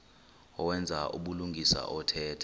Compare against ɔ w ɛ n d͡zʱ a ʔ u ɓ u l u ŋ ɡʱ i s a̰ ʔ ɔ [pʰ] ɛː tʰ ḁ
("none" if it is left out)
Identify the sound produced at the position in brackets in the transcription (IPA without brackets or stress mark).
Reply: tʰ